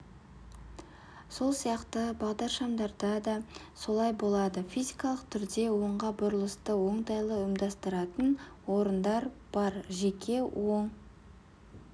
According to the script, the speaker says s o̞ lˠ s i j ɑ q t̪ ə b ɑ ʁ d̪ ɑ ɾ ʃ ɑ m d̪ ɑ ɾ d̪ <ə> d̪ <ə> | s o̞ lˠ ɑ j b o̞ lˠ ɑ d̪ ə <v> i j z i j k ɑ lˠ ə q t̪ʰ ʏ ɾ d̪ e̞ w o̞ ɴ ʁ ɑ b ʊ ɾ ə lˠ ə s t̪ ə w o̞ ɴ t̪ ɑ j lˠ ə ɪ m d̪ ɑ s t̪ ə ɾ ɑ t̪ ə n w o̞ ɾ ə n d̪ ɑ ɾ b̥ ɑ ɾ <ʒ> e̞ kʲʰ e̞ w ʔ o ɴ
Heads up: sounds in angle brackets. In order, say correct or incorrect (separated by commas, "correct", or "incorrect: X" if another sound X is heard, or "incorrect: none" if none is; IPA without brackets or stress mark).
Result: incorrect: ɑ, incorrect: ɑ, incorrect: f, correct